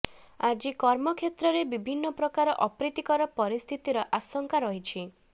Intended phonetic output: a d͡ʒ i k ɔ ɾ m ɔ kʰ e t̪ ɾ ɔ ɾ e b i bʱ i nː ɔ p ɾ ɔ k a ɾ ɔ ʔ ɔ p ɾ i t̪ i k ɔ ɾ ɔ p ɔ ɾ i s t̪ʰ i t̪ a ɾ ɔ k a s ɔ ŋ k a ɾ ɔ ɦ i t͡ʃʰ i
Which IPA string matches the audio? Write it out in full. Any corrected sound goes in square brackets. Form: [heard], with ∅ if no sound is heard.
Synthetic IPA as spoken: a d͡ʒ i k ɔ ɾ m ɔ kʰ e t̪ ɾ ɔ ɾ e b i bʱ i nː ɔ p ɾ ɔ k a ɾ ɔ ʔ ɔ p ɾ i t̪ i k ɔ ɾ ɔ p ɔ ɾ i s t̪ʰ i t̪ [i] ɾ ɔ [ʔ] a s ɔ ŋ k a ɾ ɔ ɦ i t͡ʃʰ i